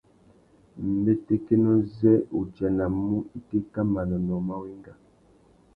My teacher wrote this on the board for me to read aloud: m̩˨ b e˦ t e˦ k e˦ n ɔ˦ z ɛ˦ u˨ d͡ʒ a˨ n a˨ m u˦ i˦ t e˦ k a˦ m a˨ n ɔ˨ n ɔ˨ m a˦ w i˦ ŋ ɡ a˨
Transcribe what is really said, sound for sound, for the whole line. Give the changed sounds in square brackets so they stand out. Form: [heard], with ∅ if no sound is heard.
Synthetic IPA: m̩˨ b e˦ t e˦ k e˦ n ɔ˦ z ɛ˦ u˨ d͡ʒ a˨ n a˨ m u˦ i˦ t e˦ k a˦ m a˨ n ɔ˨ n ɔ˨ m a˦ w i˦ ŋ ɡ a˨